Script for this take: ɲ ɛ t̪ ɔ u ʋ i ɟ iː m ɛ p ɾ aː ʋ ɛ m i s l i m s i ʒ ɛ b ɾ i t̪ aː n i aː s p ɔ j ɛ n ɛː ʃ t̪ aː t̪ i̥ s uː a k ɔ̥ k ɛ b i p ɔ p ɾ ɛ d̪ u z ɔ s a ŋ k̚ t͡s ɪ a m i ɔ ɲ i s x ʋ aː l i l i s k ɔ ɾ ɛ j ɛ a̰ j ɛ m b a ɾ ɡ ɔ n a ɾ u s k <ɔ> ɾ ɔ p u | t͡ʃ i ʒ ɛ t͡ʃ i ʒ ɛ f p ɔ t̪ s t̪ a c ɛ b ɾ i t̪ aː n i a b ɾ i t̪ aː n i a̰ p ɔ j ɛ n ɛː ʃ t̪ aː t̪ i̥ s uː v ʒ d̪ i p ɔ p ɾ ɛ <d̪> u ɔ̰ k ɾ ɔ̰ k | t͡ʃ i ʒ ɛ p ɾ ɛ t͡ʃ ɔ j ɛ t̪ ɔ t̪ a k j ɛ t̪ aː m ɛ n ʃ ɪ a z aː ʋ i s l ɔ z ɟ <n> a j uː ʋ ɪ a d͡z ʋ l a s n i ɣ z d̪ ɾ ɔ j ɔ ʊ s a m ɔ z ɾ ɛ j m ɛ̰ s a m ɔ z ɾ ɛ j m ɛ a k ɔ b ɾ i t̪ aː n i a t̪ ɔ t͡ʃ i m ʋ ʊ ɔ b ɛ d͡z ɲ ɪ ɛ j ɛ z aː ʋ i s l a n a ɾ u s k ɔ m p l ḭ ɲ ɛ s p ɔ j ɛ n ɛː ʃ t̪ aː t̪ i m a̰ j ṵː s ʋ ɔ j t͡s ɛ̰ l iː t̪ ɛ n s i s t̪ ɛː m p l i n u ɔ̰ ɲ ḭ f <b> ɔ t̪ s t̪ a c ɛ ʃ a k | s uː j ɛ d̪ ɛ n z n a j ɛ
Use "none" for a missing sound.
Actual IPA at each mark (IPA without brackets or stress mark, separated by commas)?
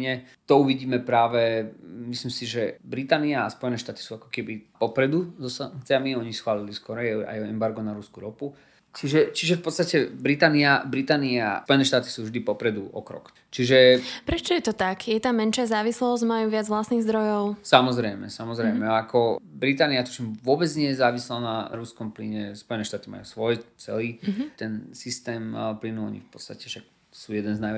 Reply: u, d̪, m, p